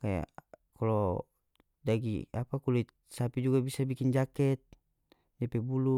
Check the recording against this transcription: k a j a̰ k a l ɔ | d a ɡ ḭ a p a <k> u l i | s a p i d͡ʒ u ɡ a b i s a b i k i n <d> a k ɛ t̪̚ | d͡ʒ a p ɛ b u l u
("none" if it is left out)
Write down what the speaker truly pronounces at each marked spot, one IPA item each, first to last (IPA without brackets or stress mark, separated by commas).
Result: k, d͡ʒ